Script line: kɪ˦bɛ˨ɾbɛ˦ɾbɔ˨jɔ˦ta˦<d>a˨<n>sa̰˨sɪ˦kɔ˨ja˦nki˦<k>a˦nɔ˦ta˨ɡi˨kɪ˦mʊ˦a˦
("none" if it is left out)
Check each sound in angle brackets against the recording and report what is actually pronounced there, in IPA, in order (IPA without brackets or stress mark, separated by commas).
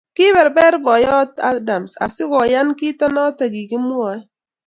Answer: d, m, t